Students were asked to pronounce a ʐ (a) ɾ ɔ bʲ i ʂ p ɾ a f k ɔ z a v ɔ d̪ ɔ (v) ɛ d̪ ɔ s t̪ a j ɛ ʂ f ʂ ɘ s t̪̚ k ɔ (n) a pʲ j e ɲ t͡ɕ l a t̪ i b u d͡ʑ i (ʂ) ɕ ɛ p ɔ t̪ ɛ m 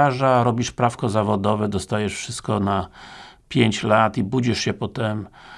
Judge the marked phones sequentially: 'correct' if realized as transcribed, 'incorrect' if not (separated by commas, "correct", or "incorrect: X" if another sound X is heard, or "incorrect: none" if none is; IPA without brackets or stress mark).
correct, correct, correct, correct